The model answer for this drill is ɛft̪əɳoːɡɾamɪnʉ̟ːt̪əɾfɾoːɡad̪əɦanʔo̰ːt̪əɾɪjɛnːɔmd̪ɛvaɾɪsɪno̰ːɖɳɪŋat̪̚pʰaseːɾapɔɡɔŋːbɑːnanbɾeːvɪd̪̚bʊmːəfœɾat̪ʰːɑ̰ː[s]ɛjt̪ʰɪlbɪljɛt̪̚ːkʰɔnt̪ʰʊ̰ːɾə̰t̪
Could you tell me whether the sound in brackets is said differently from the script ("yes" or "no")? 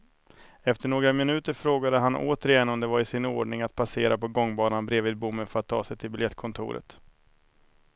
no